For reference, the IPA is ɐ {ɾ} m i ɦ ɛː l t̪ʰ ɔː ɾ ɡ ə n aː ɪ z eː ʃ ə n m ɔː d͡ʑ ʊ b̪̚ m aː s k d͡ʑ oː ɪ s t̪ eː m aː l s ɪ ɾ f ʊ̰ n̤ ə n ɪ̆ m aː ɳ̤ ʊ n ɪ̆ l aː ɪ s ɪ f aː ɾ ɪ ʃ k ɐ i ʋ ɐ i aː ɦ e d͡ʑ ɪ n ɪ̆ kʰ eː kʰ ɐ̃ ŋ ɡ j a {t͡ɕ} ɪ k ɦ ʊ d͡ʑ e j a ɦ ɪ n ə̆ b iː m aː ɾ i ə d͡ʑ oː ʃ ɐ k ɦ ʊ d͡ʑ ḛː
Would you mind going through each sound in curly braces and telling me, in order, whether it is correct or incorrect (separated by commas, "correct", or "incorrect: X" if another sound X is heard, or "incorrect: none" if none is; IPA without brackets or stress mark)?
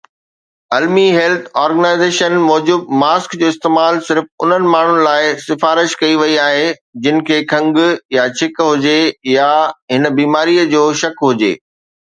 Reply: incorrect: l, incorrect: t͡ɕʰ